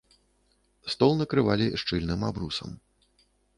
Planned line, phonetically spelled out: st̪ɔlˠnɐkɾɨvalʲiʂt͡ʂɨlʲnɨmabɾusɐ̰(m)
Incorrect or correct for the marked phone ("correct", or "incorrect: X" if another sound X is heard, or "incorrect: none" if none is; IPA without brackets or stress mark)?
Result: correct